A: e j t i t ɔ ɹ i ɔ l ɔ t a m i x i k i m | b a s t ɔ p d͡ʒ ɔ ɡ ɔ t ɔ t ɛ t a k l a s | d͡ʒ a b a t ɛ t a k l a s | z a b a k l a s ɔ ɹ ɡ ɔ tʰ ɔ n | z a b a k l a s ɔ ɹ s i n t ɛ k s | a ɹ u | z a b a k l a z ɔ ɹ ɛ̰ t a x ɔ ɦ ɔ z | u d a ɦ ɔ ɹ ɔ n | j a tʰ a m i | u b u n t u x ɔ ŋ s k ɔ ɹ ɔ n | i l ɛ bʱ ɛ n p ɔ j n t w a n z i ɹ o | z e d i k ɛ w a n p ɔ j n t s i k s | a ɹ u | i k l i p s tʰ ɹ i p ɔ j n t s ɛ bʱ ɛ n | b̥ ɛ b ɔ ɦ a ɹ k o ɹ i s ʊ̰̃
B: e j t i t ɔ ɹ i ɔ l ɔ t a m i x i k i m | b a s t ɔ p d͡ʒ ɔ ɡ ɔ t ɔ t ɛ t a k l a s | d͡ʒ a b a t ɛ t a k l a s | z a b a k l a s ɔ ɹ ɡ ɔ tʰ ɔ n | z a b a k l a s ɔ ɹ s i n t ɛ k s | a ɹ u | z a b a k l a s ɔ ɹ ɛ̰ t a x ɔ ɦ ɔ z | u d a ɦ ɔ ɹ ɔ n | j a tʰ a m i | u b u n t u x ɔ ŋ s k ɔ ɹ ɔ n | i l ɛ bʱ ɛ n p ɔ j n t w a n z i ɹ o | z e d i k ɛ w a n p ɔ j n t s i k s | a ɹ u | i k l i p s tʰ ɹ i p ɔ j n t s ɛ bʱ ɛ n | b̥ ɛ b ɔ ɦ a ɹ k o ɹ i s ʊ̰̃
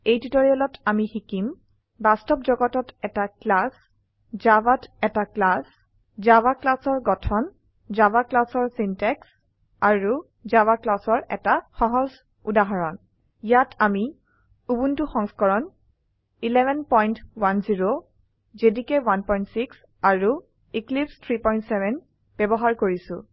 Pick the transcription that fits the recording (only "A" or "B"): B